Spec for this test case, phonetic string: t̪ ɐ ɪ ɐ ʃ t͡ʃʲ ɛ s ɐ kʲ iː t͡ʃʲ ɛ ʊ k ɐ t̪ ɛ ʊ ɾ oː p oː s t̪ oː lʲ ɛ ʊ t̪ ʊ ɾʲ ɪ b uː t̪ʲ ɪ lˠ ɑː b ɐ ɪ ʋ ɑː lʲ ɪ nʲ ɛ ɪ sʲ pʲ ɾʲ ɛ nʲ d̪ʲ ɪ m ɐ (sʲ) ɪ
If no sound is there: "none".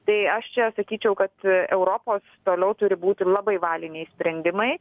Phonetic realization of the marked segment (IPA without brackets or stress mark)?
none